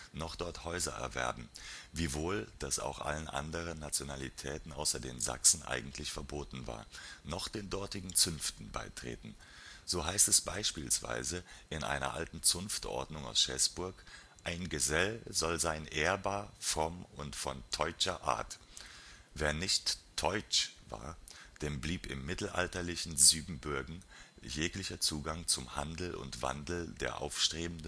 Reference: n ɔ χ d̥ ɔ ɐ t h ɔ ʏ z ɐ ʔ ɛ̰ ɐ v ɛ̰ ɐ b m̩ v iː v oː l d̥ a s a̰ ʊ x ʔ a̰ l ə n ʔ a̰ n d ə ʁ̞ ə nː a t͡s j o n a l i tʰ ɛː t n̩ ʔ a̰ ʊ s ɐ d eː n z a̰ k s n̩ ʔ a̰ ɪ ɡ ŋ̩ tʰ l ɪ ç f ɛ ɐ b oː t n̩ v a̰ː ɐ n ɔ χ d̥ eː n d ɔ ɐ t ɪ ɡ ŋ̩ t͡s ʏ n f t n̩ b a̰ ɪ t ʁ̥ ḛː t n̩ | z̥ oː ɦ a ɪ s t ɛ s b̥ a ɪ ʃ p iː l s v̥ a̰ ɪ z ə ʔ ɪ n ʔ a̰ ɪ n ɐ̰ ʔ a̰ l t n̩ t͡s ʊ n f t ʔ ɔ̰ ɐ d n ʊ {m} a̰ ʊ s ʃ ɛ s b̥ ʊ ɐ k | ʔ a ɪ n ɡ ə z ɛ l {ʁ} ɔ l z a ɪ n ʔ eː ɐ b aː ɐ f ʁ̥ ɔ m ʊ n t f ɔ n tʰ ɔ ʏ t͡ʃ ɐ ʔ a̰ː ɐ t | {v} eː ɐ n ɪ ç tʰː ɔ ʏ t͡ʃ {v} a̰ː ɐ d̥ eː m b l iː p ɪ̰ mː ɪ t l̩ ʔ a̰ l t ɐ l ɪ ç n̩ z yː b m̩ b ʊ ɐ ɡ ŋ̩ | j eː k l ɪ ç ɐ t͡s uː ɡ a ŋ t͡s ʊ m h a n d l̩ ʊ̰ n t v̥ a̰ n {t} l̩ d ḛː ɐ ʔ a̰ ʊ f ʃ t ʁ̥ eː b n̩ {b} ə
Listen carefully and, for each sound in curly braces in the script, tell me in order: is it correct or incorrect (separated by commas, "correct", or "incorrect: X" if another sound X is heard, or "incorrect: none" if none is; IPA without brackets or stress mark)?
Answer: incorrect: ŋ, incorrect: z, correct, correct, incorrect: d, incorrect: d